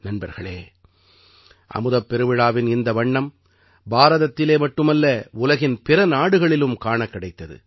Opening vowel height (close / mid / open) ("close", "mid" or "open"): open